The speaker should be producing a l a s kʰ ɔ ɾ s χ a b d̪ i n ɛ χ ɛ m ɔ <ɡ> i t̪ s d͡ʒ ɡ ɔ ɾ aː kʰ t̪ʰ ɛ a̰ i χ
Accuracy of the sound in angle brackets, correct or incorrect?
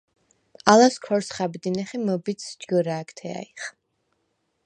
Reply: incorrect